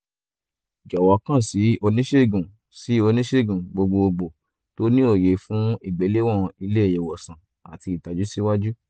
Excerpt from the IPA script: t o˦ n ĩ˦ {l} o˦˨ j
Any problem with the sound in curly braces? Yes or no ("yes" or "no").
yes